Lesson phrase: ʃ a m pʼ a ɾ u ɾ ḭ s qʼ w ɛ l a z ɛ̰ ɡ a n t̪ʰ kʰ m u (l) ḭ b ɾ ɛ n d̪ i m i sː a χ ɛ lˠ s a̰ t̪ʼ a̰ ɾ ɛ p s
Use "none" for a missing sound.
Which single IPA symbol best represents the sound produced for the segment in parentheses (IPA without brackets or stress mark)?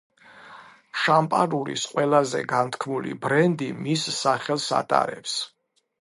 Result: l